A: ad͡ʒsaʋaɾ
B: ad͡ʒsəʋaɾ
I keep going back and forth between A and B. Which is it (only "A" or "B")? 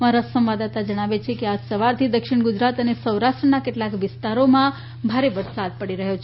B